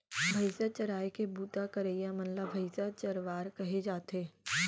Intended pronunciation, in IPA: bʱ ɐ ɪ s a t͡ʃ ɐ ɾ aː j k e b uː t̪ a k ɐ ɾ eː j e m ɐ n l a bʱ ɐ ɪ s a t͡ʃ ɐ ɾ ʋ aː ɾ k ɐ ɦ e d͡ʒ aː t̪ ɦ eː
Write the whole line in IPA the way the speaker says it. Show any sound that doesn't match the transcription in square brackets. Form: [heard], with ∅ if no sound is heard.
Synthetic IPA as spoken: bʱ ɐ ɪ s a t͡ʃ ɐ ɾ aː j k e b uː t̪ a k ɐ ɾ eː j [a] m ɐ n l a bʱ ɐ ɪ s a t͡ʃ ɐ ɾ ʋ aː ɾ k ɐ ɦ e d͡ʒ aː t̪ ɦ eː